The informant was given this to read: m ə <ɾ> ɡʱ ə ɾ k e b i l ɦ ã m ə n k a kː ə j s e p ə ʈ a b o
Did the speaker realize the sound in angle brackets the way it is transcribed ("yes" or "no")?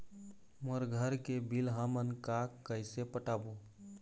yes